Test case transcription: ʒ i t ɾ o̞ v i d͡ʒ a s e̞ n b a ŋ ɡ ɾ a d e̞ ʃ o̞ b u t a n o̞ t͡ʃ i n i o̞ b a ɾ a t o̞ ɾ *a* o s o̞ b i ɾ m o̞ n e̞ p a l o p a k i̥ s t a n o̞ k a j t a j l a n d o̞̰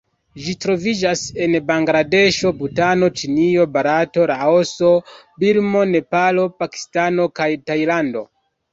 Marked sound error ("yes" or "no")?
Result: no